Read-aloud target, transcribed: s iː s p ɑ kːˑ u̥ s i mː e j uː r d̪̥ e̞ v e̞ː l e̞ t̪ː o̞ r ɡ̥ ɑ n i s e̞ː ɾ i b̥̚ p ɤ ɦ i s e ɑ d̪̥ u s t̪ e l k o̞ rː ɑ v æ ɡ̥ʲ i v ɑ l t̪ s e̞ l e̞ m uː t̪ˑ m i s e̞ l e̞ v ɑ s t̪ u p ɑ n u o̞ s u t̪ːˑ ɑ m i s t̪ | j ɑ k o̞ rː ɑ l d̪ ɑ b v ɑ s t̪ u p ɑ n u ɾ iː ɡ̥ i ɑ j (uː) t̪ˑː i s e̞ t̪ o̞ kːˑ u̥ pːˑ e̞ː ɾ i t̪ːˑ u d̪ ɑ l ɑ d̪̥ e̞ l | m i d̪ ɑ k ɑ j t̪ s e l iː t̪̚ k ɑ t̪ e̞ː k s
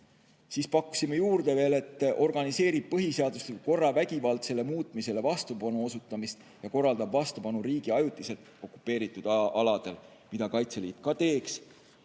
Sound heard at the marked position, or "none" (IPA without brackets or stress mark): u